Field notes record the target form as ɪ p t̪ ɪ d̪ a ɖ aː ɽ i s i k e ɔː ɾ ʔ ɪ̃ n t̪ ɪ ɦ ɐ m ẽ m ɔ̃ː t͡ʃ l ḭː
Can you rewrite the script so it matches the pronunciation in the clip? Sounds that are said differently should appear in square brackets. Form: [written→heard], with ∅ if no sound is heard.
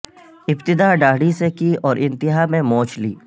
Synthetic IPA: ɪ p t̪ ɪ d̪ a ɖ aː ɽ i s [i→e] k [e→i] ɔː ɾ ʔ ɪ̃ n t̪ ɪ ɦ [ɐ→a] m ẽ m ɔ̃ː t͡ʃ l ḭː